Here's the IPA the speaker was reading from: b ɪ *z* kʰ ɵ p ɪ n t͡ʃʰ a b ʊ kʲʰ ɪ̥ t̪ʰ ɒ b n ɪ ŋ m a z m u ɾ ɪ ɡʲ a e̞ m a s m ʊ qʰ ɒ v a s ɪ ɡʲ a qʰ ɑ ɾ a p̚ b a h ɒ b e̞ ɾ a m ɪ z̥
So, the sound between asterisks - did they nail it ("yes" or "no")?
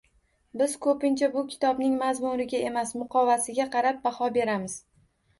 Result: yes